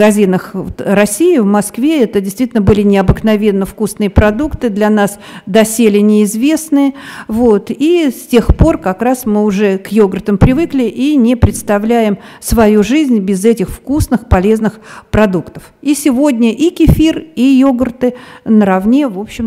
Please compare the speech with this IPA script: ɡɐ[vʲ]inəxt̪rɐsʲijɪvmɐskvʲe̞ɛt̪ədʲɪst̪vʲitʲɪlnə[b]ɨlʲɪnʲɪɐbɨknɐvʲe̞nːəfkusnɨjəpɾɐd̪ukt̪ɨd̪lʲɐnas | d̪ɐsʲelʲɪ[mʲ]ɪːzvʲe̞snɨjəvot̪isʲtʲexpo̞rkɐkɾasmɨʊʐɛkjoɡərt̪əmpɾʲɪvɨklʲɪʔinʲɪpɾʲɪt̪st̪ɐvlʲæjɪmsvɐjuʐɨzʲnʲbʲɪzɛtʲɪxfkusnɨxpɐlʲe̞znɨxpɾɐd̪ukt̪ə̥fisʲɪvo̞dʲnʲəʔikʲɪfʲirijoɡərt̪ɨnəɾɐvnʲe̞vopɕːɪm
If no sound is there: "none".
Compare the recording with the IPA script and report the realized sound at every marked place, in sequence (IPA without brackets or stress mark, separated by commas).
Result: zʲ, b, nʲ